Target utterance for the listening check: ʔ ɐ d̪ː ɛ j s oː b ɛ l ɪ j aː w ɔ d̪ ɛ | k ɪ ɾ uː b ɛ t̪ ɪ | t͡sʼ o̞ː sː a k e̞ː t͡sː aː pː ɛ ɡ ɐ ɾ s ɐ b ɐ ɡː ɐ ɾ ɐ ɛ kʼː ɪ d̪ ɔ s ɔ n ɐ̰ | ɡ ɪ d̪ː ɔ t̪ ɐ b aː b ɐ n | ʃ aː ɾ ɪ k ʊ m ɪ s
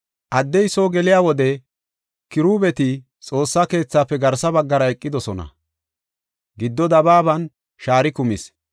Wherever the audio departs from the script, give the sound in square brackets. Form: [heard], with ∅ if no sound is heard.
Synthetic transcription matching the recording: ʔ ɐ d̪ː ɛ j s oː [ɡ] ɛ l ɪ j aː w ɔ d̪ ɛ | k ɪ ɾ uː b ɛ t̪ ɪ | t͡sʼ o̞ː sː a k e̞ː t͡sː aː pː ɛ ɡ ɐ ɾ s ɐ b ɐ ɡː ɐ ɾ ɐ ɛ kʼː ɪ d̪ ɔ s ɔ n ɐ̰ | ɡ ɪ d̪ː ɔ [d̪] ɐ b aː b ɐ n | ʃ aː ɾ ɪ k ʊ m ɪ s